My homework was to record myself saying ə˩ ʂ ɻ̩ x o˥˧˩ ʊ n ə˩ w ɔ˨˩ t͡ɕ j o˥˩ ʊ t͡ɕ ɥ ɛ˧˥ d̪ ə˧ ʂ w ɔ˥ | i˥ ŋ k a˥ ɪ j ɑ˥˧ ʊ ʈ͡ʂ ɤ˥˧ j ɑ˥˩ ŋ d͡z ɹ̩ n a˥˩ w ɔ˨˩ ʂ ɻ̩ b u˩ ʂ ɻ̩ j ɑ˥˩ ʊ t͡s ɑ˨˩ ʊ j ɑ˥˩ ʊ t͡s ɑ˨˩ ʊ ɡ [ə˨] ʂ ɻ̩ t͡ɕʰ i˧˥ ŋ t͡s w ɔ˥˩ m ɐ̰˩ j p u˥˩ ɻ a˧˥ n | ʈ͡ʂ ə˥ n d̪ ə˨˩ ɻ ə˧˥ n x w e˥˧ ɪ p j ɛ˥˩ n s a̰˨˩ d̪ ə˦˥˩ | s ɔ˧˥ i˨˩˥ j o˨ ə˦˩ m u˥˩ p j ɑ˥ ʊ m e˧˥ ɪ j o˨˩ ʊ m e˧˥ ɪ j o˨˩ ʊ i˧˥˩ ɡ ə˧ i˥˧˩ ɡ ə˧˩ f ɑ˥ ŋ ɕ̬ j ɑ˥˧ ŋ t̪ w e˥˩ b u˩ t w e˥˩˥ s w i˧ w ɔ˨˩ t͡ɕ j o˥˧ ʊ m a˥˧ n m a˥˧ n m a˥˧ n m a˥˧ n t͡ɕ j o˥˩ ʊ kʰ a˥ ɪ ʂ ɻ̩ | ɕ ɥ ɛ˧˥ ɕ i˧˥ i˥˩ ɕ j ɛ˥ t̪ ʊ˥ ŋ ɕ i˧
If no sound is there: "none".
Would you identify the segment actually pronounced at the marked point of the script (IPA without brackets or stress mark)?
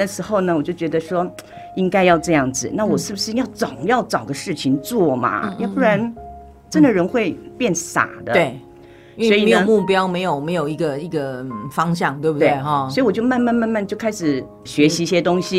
ə˦